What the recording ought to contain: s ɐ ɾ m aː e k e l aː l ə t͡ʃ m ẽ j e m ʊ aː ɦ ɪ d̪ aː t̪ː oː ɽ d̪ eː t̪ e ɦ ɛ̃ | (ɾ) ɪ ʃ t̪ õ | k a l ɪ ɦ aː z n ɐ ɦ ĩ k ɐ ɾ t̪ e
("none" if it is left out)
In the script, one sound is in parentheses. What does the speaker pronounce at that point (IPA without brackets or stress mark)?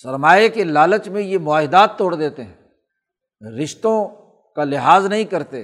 ɾ